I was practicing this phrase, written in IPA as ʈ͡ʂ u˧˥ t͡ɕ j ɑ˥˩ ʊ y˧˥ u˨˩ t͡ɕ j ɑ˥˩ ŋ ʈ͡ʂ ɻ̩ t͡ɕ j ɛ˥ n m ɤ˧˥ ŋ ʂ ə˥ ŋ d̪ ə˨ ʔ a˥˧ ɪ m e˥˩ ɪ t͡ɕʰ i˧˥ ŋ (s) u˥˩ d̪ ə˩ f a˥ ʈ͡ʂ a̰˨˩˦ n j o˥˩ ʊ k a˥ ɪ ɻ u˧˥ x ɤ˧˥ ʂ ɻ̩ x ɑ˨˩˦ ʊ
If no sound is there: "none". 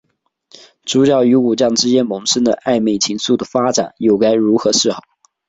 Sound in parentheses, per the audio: s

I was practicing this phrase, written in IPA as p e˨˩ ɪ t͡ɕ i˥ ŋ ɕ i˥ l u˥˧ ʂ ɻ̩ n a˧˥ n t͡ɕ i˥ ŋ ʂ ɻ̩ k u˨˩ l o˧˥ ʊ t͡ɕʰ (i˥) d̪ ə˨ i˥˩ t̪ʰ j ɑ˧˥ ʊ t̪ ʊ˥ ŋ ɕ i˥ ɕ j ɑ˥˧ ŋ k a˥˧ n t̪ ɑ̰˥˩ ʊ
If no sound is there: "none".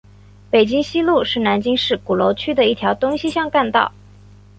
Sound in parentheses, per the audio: y˥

